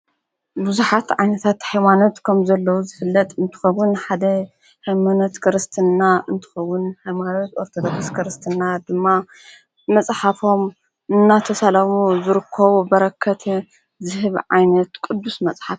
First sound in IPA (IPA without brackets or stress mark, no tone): b